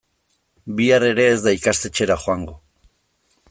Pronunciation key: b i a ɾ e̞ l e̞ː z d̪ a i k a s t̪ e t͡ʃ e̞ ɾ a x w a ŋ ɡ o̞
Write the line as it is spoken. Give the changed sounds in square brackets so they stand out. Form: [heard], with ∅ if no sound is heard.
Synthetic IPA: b i a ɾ e̞ [ɾ] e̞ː z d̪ a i k a s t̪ e t͡ʃ e̞ ɾ a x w a ŋ ɡ o̞